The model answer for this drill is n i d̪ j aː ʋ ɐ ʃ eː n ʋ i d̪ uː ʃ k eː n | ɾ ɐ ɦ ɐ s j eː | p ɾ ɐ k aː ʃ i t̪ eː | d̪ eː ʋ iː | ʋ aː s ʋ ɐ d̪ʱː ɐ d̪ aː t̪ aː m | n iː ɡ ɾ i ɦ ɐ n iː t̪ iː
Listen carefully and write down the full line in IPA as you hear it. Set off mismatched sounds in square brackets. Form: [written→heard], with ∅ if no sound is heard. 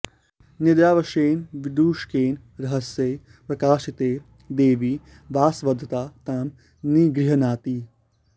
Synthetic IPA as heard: n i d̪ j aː ʋ ɐ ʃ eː n ʋ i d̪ uː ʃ k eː n | ɾ ɐ ɦ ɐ s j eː | p ɾ ɐ k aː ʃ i t̪ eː | d̪ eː ʋ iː | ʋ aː s ʋ ɐ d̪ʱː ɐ [d̪→t̪] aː t̪ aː m | n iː ɡ ɾ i ɦ ɐ n [iː→aː] t̪ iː